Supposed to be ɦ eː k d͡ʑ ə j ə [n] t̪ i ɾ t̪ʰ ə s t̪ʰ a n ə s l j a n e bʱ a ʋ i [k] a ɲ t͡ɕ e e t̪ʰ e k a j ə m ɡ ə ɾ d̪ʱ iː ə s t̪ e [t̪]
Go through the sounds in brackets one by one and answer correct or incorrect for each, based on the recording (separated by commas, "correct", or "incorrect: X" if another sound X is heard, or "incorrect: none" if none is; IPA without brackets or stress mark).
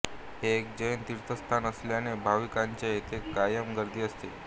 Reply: correct, correct, incorrect: none